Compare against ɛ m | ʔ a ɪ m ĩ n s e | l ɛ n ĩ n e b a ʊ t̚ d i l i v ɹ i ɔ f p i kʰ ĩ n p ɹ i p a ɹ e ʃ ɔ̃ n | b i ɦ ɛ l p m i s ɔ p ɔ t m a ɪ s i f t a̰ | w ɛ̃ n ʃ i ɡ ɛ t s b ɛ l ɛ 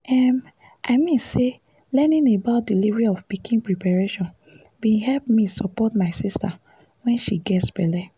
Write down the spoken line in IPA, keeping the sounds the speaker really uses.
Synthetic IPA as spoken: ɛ m | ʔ a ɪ m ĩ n s e | l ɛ n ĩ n e b a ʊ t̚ d i l i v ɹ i ɔ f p i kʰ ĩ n p ɹ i p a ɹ e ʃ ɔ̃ n | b i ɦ ɛ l p m i s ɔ p ɔ t m a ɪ s i s t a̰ | w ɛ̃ n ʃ i ɡ ɛ t s b ɛ l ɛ